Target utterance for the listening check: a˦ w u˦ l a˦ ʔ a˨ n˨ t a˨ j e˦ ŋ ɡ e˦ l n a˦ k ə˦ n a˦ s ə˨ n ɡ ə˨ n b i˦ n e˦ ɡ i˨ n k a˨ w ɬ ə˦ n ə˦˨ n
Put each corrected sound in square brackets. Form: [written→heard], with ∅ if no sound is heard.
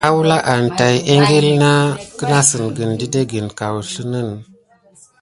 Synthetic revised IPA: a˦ w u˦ l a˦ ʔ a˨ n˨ t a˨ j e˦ ŋ ɡ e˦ l n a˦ k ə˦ n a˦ s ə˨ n ɡ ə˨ n [b→d] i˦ [n→d] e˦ ɡ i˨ n k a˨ w ɬ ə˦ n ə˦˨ n

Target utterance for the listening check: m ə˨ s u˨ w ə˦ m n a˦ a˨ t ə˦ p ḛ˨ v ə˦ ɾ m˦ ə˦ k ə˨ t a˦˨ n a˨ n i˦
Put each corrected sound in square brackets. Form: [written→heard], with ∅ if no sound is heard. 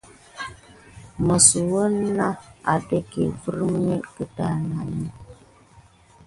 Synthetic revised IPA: m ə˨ s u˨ w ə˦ [m→∅] n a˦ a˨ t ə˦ [p→k] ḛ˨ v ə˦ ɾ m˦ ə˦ k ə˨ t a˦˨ n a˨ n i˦

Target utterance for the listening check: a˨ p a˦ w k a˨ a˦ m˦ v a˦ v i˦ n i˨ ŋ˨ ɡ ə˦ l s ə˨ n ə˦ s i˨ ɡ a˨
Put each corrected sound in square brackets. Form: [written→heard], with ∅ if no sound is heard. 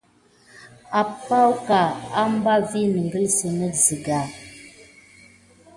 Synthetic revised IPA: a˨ p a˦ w k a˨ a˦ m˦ [v→b] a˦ v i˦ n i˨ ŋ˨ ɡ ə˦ l s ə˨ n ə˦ [s→z] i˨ ɡ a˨

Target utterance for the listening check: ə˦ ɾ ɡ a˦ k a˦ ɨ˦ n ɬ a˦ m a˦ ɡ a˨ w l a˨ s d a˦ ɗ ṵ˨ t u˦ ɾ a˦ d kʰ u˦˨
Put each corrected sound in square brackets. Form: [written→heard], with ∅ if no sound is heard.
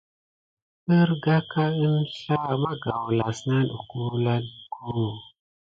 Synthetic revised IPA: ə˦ ɾ ɡ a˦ k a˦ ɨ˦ n ɬ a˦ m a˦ ɡ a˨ w l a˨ s [d→n] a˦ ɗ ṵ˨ [t→k] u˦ [ɾ→l] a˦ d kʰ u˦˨

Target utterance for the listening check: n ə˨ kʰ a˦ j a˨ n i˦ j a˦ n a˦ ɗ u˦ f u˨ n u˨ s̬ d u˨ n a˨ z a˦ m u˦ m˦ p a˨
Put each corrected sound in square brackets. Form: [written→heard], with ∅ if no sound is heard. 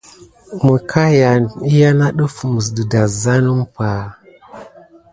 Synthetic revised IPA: [n→m] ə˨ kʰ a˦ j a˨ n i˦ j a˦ n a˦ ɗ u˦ f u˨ [n→m] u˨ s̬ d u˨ [n→d] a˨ z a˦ [m→n] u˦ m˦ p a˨

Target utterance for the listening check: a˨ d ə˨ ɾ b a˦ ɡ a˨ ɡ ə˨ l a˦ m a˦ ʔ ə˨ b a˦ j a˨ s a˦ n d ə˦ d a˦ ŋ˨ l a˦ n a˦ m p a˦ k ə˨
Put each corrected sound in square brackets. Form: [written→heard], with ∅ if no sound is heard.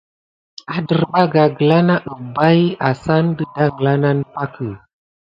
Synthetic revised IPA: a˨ d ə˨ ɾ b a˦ ɡ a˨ ɡ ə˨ l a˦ [m→n] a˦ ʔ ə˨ b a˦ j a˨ s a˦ n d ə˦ d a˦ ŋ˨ l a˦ n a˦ [m→n] p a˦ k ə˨

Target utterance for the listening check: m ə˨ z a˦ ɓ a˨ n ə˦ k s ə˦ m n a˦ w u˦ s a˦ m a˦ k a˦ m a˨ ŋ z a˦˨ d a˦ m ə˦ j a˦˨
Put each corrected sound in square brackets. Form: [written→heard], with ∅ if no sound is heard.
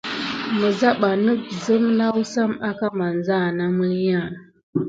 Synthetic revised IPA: m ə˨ z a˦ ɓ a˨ n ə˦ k [s→z] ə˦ m n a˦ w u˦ s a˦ m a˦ k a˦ m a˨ [ŋ→n] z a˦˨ [d→n] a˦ m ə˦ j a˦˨

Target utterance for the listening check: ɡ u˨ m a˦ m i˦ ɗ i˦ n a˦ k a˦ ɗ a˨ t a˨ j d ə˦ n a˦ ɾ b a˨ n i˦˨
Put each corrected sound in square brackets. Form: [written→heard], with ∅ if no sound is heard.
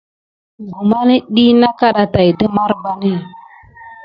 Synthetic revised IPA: ɡ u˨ m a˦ [m→n] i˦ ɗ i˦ n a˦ k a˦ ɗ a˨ t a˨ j d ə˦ [n→m] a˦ ɾ b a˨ n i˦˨

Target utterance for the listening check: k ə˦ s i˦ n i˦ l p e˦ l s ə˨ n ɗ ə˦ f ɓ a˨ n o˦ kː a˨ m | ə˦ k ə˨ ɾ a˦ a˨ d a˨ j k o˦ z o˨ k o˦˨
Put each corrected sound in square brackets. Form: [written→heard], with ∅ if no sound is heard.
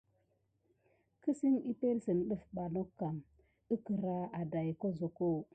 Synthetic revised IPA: k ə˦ s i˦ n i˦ [l→∅] p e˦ l s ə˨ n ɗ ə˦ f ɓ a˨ n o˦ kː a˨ m | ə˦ k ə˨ ɾ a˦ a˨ d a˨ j k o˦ z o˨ k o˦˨

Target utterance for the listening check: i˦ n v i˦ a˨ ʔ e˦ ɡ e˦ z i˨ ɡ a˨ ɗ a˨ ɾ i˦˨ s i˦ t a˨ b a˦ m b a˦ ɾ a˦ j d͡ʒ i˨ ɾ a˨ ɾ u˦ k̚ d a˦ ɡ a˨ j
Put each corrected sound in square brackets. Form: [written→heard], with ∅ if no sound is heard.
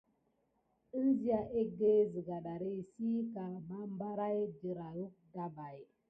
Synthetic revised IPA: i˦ n [v→z] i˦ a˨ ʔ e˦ ɡ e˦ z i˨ ɡ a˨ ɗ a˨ ɾ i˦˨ s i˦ [t→k] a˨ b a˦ m b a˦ ɾ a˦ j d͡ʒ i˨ ɾ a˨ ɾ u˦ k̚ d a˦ [ɡ→b] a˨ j

